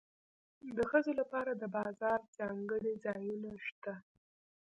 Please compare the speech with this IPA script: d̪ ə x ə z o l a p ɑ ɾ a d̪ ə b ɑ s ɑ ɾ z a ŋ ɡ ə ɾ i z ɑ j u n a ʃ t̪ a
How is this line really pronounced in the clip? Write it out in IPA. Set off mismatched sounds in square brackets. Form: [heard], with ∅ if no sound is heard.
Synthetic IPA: d̪ ə x ə z o l a p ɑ ɾ a d̪ ə b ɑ [z] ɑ ɾ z [ɑ] ŋ ɡ ə [ɽ] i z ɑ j u n a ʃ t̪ a